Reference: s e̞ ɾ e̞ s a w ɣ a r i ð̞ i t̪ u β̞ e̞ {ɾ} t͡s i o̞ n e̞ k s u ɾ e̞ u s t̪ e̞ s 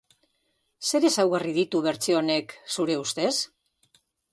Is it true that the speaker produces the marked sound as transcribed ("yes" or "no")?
yes